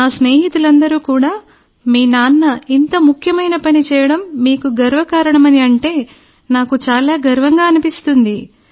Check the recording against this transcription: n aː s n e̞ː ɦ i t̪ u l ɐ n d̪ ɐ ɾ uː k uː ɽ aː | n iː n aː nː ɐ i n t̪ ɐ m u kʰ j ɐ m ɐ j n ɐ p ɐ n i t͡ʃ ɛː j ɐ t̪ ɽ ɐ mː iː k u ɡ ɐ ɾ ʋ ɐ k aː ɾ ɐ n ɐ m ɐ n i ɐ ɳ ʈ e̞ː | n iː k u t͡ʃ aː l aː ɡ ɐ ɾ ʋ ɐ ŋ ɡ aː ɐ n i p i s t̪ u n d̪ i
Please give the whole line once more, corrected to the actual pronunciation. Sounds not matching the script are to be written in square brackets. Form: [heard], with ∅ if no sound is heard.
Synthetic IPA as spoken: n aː s n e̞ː ɦ i t̪ u l ɐ n d̪ ɐ ɾ uː k uː ɽ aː | [m] iː n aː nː ɐ i n t̪ ɐ m u kʰ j ɐ m ɐ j n ɐ p ɐ n i t͡ʃ ɛː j ɐ [∅] ɽ ɐ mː iː k u ɡ ɐ ɾ ʋ ɐ k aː ɾ ɐ [ɳ] ɐ m ɐ n i ɐ ɳ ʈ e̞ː | n [aː] k u t͡ʃ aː l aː ɡ ɐ ɾ ʋ ɐ ŋ ɡ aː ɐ n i p i s t̪ u n d̪ i